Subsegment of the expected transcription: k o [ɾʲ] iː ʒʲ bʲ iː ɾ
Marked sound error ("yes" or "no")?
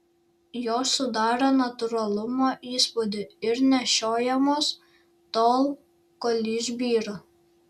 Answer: yes